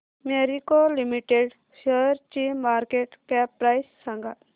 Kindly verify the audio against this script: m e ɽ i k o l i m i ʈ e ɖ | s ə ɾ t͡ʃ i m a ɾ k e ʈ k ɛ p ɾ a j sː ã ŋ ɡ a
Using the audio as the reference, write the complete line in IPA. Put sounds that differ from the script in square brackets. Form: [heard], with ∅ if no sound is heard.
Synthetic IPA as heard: m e [ɾ] i k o l i m i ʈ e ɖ | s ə ɾ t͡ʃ i m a ɾ k e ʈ k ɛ p ɾ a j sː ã ŋ ɡ a